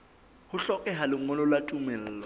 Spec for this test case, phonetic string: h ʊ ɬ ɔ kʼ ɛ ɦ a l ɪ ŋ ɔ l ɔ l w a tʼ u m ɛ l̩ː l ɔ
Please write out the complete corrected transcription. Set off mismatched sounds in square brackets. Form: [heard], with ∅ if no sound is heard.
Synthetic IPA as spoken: h ʊ ɬ ɔ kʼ ɛ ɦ a l ɪ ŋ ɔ l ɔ l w a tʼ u m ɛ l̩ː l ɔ

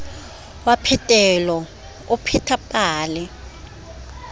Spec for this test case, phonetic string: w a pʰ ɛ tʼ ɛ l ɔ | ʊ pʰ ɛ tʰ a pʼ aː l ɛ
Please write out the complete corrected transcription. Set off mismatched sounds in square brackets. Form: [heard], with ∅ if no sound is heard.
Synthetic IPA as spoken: w a pʰ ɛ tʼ ɛ l ɔ | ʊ pʰ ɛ tʰ a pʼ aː l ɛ

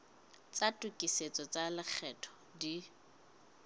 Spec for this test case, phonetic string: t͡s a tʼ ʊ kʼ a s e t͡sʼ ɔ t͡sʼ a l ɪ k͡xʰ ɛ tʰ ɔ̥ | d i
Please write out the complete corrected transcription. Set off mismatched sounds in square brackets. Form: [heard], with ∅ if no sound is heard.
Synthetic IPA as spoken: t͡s a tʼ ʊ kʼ [i] s e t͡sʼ ɔ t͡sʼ a l ɪ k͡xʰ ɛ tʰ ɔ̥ | d i

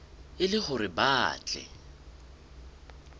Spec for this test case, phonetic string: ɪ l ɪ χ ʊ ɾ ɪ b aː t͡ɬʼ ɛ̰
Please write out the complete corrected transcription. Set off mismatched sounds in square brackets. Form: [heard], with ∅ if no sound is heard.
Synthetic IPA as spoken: ɪ l ɪ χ ʊ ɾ ɪ b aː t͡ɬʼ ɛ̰

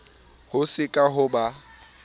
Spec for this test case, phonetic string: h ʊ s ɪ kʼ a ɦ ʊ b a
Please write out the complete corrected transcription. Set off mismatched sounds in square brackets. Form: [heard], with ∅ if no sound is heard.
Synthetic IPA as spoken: h ʊ s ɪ kʼ a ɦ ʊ b a

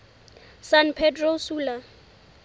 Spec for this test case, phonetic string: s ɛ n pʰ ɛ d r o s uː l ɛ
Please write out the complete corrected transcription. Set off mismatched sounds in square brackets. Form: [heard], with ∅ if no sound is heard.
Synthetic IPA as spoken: s [a] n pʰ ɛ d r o s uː l [a]

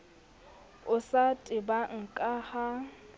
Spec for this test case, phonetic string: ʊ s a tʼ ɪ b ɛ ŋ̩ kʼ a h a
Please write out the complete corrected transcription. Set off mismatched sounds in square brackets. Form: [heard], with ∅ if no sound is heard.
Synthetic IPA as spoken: ʊ s a tʼ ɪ b [a] ŋ̩ kʼ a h a

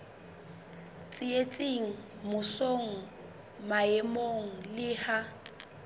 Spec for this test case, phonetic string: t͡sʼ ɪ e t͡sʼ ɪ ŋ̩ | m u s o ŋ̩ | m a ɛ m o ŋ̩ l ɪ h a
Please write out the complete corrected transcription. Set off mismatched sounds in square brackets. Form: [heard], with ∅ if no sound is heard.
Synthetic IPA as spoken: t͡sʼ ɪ e t͡sʼ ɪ ŋ̩ | m [ʊ] s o ŋ̩ | m a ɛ m o ŋ̩ l ɪ h a

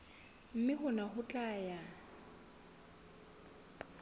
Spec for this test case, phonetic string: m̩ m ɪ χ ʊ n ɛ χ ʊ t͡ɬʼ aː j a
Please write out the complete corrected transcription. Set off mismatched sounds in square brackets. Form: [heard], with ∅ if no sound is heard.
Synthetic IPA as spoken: m̩ m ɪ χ ʊ n [a] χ ʊ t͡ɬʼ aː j a

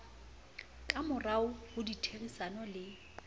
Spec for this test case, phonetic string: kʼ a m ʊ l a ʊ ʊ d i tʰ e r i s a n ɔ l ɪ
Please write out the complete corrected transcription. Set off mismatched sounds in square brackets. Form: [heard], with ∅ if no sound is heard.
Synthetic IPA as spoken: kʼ a m ʊ [r] a ʊ ʊ d i tʰ e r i s a n ɔ l ɪ

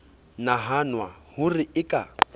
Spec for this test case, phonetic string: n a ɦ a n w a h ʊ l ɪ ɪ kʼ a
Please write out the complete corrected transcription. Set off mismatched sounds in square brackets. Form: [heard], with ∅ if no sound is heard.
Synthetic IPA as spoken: n a ɦ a n w a h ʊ [r] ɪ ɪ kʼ a

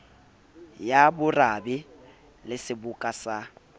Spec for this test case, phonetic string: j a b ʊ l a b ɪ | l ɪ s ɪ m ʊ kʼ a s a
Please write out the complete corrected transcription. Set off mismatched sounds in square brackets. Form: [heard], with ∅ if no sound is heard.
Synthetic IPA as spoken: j a b ʊ [r] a b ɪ | l ɪ s ɪ [b] ʊ kʼ a s a

